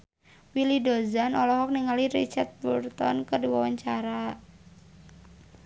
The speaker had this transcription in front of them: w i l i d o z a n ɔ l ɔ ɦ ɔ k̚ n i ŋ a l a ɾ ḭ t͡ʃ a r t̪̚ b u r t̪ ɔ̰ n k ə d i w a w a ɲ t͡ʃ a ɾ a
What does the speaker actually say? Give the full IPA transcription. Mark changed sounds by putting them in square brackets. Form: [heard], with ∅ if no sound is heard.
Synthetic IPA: w i l i d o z a n ɔ l ɔ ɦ ɔ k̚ n i ŋ a l [i] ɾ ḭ t͡ʃ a r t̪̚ b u r t̪ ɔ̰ n k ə d i w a w a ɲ t͡ʃ a ɾ a